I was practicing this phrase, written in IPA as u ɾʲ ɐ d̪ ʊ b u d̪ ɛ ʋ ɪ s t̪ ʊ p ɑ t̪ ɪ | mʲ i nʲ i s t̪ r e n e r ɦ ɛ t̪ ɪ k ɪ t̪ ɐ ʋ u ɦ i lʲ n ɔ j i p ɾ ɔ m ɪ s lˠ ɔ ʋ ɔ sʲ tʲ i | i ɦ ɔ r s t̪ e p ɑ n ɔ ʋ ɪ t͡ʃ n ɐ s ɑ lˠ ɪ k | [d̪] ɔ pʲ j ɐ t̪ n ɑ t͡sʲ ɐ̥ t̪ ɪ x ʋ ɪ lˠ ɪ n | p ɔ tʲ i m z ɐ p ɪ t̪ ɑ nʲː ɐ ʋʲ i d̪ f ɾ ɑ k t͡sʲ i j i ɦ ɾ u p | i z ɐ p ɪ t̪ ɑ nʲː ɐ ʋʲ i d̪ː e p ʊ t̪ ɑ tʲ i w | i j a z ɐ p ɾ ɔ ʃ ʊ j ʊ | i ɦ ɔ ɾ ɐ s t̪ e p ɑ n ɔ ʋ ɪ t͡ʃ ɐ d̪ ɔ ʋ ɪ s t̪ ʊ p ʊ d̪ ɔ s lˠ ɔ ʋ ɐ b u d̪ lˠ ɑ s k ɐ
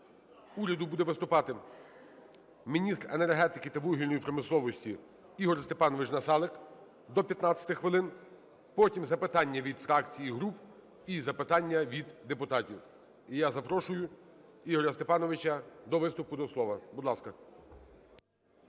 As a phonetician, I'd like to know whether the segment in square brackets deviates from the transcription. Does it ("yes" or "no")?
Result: no